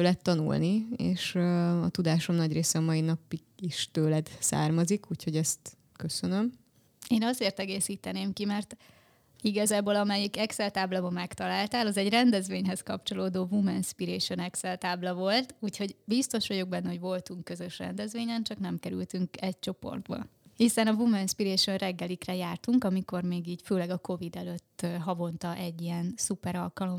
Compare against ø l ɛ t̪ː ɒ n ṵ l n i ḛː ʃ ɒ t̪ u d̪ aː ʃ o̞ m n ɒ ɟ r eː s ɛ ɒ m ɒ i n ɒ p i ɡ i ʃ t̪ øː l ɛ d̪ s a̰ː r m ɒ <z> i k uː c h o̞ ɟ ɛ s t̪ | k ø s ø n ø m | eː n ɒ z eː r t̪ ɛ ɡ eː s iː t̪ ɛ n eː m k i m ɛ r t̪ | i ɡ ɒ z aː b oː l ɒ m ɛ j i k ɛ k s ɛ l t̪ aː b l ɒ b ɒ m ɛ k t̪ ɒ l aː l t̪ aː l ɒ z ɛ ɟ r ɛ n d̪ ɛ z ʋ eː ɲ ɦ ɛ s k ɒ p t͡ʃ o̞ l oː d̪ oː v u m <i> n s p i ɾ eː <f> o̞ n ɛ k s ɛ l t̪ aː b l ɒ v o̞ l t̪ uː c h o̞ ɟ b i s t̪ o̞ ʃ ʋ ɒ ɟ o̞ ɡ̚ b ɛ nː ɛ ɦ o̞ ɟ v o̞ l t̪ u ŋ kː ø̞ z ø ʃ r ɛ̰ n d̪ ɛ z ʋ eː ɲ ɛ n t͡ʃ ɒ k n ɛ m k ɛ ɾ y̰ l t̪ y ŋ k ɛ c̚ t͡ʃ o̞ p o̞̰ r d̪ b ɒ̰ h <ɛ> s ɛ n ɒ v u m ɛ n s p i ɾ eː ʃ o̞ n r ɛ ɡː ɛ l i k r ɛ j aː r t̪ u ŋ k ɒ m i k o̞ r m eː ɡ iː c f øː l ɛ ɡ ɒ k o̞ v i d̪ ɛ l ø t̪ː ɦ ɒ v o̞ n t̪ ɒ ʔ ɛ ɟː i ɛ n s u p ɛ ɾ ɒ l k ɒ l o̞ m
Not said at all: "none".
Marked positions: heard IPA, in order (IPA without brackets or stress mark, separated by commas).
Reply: z, ɛ, ʃ, i